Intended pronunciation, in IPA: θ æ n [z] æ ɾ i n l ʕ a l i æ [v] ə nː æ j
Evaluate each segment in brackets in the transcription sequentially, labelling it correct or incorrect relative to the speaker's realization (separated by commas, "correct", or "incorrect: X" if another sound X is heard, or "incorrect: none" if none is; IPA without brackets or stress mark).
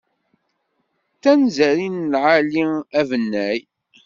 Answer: correct, correct